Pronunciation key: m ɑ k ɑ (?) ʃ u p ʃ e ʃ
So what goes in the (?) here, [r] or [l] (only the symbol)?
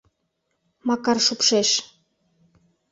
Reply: r